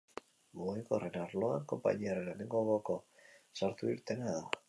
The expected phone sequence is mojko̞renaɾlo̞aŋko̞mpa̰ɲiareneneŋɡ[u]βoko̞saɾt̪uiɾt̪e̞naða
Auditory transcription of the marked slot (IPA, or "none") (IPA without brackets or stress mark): o